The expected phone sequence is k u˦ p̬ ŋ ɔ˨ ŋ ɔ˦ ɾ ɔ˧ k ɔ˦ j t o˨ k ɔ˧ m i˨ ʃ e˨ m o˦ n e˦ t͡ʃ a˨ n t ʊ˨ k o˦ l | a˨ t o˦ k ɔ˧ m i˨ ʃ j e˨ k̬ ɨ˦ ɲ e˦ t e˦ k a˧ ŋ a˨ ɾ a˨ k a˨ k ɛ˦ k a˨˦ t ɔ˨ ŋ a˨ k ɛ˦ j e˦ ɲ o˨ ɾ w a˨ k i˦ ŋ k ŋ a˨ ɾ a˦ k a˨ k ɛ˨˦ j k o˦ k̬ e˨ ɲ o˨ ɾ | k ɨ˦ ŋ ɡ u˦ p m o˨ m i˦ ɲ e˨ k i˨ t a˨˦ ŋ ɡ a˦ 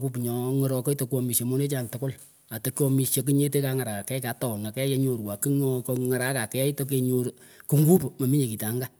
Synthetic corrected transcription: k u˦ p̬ ɲ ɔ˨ ŋ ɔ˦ ɾ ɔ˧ k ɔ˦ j t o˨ k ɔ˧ m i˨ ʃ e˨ m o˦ n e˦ t͡ʃ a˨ n t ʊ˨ k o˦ l | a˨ t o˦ k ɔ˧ m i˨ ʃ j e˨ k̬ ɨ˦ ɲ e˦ t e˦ k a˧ ŋ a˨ ɾ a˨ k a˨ k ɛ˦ k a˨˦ t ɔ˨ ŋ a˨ k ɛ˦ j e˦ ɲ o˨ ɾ w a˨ k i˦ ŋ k ŋ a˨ ɾ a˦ k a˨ k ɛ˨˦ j t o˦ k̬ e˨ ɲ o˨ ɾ | k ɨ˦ ŋ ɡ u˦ p m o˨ m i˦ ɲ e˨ k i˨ t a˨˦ ŋ ɡ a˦